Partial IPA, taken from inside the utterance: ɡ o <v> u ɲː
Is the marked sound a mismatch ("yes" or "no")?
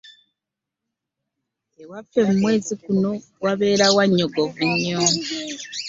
no